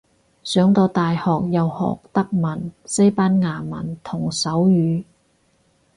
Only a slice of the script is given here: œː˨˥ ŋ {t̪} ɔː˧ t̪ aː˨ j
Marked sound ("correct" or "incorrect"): correct